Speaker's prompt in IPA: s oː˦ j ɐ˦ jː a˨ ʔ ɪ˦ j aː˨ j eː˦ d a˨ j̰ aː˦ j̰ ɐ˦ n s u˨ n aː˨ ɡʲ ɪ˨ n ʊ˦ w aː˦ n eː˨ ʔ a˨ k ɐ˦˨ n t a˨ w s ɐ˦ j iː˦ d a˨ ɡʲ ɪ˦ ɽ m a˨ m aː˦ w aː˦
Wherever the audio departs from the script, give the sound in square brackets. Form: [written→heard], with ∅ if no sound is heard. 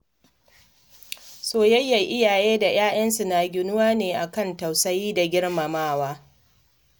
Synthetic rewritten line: s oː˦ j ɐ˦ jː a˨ ʔ ɪ˦ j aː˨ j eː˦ d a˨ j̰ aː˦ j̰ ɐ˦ n s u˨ n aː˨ ɡʲ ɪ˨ n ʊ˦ w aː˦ n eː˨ ʔ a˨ k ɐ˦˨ n t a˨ w s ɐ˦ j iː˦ d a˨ ɡʲ ɪ˦ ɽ m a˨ m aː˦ w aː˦